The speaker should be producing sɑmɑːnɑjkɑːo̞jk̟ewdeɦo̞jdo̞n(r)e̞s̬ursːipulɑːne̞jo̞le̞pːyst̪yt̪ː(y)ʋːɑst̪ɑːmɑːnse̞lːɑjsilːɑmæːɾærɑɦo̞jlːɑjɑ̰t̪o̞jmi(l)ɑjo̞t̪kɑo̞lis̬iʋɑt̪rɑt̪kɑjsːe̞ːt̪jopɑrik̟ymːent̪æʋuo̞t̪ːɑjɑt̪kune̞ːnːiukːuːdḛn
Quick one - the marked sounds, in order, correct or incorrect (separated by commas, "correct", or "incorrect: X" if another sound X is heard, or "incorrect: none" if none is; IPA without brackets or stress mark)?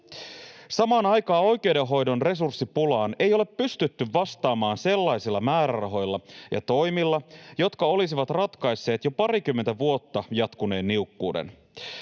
correct, correct, incorrect: lː